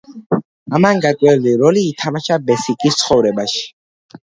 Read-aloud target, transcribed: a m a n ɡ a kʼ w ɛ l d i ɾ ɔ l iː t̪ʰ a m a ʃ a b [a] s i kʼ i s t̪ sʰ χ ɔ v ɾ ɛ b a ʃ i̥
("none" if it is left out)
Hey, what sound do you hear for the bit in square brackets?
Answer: ɛ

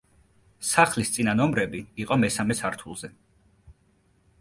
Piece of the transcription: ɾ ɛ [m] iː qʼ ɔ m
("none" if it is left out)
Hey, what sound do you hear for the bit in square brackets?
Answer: b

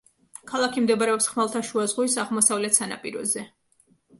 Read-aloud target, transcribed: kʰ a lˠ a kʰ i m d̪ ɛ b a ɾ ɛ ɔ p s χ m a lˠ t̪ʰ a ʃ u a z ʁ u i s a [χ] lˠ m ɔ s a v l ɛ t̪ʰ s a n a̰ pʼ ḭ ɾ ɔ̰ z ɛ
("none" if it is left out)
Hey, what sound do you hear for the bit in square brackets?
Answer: ʁ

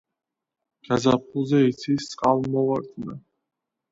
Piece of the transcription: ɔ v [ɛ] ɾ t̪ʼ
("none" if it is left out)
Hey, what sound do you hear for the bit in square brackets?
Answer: a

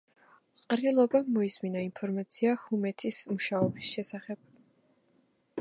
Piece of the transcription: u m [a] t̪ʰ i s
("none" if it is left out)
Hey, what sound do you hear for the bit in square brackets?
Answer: ɛ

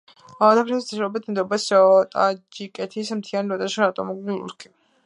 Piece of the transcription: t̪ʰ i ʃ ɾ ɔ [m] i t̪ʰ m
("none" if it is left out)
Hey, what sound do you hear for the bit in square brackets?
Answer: b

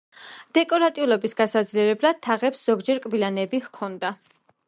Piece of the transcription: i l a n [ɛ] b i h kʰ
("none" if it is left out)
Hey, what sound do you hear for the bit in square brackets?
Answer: ɛ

